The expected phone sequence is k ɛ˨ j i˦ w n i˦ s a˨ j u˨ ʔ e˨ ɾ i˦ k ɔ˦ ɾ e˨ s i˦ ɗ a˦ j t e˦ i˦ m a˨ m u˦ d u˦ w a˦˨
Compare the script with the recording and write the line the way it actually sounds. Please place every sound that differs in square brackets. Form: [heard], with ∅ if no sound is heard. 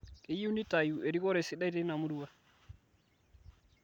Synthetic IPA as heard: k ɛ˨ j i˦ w n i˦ [t] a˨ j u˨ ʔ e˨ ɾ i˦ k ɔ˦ ɾ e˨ s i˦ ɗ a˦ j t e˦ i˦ [n] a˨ m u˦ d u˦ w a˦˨

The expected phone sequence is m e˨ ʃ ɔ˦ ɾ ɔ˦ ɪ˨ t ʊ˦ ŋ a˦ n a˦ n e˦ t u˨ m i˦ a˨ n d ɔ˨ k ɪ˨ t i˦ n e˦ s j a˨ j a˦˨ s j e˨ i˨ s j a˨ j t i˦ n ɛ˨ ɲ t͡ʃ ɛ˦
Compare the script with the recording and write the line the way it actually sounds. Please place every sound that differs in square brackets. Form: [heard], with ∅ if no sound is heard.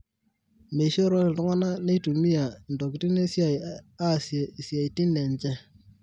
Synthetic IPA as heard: m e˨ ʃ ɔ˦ ɾ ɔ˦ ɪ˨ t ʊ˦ ŋ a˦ n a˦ n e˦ t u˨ m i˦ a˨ n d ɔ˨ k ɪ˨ t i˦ n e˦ s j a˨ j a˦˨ s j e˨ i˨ s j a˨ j t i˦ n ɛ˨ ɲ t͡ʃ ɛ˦

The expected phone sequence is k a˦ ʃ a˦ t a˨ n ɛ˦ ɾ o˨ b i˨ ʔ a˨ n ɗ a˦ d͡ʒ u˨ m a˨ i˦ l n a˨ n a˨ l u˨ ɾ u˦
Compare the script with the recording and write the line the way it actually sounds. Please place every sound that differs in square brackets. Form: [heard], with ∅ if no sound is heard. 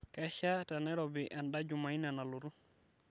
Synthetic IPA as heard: k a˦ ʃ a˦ t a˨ n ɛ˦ ɾ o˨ b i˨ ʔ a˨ n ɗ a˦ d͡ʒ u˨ m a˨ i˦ [∅] n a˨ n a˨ l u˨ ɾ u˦

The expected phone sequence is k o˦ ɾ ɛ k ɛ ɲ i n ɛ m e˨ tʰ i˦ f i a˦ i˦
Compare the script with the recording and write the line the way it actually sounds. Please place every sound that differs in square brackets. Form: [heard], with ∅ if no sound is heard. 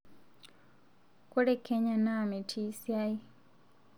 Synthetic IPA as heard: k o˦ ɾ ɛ k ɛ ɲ [a] n [a] m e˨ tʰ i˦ [s] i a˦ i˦

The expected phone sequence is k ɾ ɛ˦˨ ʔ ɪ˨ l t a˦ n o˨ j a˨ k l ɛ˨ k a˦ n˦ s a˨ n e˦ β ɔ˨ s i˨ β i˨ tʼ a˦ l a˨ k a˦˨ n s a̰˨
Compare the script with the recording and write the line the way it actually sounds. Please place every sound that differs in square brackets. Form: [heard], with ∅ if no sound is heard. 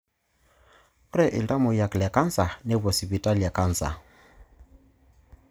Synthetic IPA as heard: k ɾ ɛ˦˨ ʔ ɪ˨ l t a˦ [m] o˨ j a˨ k l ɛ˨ k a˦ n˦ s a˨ n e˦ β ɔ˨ s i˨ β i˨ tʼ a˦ l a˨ k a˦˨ n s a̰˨

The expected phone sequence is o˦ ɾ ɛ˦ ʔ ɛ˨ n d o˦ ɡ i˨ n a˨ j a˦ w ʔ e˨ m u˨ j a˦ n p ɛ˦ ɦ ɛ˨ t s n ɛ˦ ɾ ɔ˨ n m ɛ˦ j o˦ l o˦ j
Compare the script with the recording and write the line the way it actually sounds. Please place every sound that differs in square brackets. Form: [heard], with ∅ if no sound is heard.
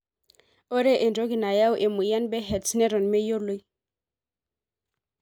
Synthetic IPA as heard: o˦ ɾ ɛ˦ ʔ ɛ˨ n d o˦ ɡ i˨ n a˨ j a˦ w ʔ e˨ m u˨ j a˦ n [b] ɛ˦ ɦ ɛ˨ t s n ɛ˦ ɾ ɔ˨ n m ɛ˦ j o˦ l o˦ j

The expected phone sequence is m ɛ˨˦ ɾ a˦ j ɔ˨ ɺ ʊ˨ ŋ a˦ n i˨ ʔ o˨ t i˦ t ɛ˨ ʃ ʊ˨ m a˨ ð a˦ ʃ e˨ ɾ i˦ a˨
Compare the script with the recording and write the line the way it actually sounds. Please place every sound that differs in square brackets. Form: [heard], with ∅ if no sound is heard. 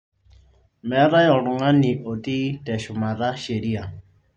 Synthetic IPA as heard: m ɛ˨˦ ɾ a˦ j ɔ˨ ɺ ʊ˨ ŋ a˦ n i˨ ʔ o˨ t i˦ t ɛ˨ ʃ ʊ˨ m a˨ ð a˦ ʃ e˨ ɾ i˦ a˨

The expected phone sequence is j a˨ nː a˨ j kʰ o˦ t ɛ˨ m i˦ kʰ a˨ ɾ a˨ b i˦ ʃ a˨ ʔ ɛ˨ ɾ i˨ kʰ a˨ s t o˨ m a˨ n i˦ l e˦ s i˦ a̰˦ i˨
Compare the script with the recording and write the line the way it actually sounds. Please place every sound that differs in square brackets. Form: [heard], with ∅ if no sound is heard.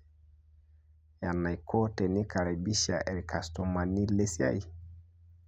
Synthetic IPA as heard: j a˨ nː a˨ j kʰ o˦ t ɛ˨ [n] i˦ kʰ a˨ ɾ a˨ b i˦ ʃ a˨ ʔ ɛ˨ ɾ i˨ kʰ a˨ s t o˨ m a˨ n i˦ l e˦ s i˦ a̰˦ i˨

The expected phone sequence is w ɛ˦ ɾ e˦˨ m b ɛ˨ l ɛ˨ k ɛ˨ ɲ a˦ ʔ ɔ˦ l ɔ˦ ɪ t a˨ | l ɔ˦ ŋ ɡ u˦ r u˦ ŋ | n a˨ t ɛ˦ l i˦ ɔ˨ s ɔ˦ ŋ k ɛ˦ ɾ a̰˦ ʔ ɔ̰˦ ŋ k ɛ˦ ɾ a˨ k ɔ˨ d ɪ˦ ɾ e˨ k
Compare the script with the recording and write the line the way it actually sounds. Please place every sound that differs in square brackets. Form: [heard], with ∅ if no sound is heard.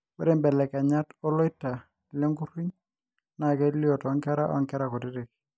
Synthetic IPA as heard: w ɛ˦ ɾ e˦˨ m b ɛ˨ l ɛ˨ k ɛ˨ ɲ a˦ [t] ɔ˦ l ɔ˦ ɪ t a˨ | l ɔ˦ ŋ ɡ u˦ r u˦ [ɲ] | n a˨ [k] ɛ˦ l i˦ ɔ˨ [t] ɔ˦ ŋ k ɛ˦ ɾ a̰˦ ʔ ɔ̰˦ ŋ k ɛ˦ ɾ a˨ k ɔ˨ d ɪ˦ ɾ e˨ k

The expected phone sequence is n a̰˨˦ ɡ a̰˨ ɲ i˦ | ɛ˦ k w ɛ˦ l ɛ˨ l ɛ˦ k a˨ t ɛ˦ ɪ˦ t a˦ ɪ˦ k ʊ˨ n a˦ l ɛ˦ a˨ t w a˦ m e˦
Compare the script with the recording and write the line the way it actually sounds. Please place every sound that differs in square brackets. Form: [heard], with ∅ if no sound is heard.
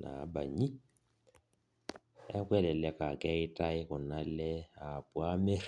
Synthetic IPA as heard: n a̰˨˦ [b] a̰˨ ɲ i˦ | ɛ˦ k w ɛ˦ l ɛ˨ l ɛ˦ k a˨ [k] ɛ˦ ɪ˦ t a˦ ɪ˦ k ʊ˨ n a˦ l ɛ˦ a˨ [p] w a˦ m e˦

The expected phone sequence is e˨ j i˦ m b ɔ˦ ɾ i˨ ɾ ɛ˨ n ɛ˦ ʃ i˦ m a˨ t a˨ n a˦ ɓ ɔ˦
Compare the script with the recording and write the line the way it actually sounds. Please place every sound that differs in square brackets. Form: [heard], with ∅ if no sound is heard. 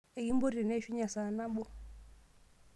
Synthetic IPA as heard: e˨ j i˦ m b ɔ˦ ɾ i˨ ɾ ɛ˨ n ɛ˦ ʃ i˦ [ɲ] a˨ [s] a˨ n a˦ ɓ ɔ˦

